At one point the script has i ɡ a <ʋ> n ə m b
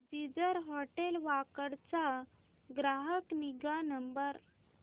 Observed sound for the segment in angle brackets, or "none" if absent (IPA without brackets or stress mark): none